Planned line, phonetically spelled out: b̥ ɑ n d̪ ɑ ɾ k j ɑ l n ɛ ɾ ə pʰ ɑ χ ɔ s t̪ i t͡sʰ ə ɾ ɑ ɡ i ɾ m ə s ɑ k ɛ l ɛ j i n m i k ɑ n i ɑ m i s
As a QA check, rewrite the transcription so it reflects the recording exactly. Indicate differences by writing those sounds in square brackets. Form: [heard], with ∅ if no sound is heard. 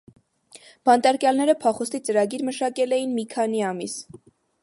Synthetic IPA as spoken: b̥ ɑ n [t̪] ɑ ɾ k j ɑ l n ɛ ɾ ə pʰ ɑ χ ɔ s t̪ i [t͡s] ə ɾ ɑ ɡ i ɾ m ə [ʃ] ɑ k ɛ l ɛ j i n m i [kʰ] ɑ n i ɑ m i s